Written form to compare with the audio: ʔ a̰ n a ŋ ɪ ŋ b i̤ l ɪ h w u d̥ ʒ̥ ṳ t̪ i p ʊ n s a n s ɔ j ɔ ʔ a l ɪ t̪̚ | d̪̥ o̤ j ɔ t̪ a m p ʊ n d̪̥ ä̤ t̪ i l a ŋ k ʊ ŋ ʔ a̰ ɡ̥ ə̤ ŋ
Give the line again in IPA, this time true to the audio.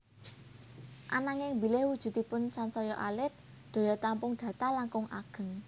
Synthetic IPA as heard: ʔ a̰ n a ŋ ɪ ŋ b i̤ l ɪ h w u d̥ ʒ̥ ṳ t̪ i p ʊ n s a n s ɔ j ɔ ʔ a l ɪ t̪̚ | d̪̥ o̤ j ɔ t̪ a m p ʊ ŋ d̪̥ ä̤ t̪ a l a ŋ k ʊ ŋ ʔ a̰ ɡ̥ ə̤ ŋ

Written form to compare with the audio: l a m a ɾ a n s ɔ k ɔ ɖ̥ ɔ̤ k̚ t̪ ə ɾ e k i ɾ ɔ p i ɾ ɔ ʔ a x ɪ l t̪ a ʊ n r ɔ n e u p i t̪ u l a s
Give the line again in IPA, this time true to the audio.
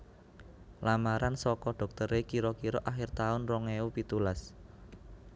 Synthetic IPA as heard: l a m a ɾ a n s ɔ k ɔ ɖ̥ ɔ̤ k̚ t̪ ə ɾ e k i ɾ ɔ k i ɾ ɔ ʔ a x ɪ r t̪ a ʊ n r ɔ ŋ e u p i t̪ u l a s

